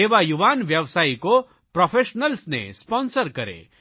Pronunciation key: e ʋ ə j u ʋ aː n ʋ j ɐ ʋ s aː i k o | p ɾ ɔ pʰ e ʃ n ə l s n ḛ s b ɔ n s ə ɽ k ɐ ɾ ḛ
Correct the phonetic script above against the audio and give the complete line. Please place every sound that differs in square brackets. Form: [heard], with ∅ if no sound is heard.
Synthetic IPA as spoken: e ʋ [a] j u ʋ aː n ʋ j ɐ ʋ s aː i k o | p ɾ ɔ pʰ e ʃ n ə l s n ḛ s [p] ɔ n s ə [ɾ] k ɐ ɾ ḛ